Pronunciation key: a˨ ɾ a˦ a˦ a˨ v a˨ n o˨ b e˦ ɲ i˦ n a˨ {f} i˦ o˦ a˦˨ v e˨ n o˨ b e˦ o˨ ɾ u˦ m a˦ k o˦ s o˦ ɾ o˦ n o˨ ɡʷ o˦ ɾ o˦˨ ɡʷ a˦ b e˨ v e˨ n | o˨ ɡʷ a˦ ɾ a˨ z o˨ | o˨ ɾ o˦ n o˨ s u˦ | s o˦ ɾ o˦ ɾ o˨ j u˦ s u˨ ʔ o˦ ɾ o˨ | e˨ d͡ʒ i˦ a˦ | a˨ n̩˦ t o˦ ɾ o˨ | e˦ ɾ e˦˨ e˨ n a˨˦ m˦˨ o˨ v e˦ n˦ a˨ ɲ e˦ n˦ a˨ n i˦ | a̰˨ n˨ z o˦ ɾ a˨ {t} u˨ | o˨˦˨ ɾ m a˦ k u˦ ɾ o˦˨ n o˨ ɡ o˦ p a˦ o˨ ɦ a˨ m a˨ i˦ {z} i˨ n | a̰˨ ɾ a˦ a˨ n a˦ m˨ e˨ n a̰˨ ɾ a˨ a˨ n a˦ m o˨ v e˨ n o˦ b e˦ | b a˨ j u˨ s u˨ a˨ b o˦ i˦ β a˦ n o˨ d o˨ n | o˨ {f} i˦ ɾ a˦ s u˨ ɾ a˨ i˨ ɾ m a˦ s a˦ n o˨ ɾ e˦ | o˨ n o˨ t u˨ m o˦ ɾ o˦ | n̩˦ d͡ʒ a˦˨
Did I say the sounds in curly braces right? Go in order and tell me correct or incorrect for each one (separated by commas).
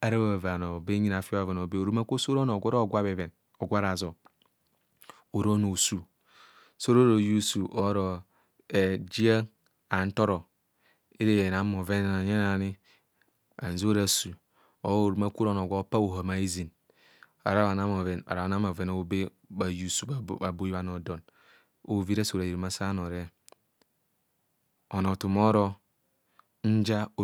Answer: correct, incorrect, correct, incorrect